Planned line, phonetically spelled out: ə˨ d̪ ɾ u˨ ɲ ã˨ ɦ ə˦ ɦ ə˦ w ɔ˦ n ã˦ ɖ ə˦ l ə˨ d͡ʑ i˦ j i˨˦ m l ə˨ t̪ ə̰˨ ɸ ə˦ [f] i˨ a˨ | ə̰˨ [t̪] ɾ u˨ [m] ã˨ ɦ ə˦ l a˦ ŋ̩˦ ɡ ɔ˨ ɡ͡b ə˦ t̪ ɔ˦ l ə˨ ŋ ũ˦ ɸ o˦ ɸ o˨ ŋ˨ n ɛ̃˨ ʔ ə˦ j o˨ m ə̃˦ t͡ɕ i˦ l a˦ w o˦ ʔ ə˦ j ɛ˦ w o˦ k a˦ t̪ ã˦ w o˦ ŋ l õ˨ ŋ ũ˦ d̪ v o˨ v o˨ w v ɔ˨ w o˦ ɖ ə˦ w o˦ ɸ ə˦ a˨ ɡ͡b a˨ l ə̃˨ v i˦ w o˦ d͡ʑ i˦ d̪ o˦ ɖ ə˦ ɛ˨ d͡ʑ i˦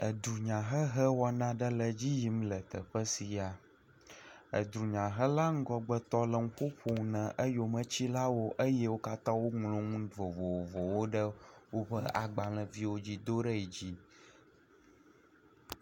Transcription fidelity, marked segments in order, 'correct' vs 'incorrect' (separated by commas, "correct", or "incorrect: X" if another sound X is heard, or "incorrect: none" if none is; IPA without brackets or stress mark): incorrect: s, incorrect: d̪, incorrect: ɲ